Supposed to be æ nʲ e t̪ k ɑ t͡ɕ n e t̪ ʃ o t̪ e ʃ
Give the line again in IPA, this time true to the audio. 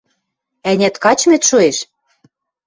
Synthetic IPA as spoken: æ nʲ æ t̪ k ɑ t͡ɕ m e t̪ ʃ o e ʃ

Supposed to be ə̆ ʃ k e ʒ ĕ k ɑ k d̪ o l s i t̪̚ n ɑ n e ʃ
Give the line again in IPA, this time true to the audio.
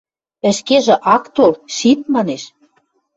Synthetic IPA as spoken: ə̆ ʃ k e ʒ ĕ ʔ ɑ k t̪ o l ʃ i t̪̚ m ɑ n e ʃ

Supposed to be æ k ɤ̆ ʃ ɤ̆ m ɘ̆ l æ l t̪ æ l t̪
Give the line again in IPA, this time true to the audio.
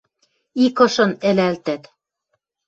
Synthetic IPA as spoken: i k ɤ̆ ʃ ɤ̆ n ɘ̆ l æ l t̪ æ t̪

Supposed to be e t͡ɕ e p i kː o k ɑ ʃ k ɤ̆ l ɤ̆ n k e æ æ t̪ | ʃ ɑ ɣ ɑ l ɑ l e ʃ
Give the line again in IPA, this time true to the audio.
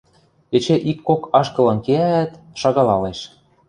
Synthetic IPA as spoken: e t͡ɕ e ʔ i kː o k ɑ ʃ k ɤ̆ l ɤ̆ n k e æ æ t̪ | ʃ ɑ ɣ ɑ l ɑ l e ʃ

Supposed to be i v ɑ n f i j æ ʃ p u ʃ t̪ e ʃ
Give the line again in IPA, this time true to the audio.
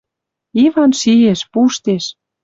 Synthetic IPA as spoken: i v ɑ n ʃ i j e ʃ p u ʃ t̪ e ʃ

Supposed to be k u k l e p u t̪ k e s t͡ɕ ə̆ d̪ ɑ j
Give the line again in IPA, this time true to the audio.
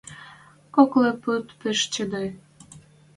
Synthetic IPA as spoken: k o k l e p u t̪ p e ʃ t͡ɕ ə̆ d̪ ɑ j

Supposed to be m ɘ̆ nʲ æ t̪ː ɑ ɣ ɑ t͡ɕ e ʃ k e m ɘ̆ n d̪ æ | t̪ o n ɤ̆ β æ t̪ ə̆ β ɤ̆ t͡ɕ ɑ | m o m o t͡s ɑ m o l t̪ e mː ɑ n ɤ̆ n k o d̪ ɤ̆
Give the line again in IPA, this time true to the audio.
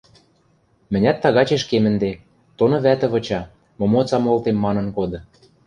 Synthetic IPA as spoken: m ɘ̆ nʲ æ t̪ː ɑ ɣ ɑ t͡ɕ e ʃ k e m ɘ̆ n d̪ e | t̪ o n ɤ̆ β æ t̪ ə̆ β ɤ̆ t͡ɕ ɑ | m o m o t͡s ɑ m o l t̪ e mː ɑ n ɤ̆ n k o d̪ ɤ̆

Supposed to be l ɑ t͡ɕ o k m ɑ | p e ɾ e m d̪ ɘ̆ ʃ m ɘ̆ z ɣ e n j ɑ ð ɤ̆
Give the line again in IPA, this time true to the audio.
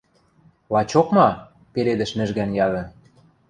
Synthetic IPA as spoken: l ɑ t͡ɕ o k m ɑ | p e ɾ e d̪ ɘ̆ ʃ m ɘ̆ ʒ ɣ æ n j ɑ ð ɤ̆

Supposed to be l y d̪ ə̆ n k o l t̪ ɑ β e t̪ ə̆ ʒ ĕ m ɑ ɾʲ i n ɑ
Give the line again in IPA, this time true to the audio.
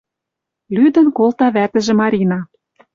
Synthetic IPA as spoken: l y d̪ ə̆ n k o l t̪ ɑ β æ t̪ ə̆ ʒ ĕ m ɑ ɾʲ i n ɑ

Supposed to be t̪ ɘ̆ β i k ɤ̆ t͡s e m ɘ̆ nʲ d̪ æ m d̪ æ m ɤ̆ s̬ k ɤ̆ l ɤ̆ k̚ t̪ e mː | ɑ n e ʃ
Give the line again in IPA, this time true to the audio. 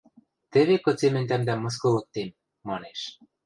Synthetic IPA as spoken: t̪ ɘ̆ β e k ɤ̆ t͡s e m ɘ̆ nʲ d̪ æ m d̪ æ m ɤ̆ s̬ k ɤ̆ l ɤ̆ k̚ t̪ e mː | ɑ n e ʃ

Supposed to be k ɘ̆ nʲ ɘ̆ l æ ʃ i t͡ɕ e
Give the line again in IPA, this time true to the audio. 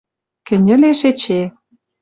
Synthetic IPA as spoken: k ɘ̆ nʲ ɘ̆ l e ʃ e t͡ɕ e

